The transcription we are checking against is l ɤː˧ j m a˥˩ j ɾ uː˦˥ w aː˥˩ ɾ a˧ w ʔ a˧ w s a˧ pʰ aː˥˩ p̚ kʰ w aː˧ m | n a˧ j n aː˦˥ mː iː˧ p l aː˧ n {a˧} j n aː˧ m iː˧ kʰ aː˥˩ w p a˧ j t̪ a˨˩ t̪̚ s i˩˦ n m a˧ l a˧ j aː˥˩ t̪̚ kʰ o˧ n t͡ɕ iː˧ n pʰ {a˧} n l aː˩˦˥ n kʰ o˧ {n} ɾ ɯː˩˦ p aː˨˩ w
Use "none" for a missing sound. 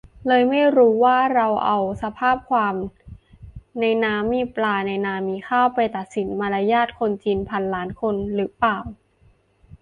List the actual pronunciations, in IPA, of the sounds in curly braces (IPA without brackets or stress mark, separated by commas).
a˧, a˧, n